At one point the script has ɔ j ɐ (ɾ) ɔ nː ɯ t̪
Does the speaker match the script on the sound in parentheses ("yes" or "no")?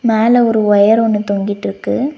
yes